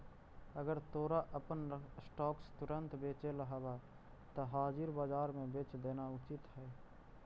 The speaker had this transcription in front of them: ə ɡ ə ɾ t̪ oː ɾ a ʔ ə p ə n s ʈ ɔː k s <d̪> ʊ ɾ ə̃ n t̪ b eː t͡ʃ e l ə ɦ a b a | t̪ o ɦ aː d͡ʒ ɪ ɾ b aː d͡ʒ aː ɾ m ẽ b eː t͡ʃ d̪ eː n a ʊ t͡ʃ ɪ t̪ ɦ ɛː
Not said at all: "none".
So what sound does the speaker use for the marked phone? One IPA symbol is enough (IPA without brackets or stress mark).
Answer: t̪